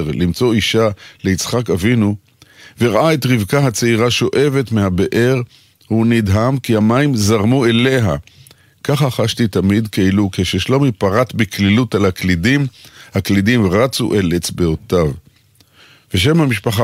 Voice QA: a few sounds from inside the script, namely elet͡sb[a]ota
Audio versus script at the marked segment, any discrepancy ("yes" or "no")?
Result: yes